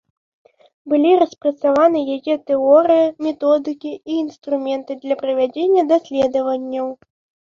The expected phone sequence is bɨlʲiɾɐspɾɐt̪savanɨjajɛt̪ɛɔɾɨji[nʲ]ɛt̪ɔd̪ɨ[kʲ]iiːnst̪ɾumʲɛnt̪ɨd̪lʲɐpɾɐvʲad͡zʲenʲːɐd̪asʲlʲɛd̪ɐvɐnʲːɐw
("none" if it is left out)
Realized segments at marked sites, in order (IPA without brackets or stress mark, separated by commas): mʲ, kʲ